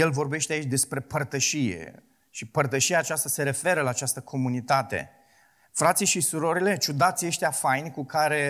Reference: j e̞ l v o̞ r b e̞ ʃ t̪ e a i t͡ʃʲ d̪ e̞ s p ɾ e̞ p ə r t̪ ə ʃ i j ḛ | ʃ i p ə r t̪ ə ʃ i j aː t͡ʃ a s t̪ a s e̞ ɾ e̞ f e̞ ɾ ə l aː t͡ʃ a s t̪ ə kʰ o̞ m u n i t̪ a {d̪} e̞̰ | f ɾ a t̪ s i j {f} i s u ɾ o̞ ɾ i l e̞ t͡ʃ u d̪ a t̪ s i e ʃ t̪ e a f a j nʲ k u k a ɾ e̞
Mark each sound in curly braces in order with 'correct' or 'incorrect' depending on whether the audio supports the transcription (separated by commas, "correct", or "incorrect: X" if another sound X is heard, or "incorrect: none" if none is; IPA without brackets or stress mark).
incorrect: t̪, incorrect: ʃ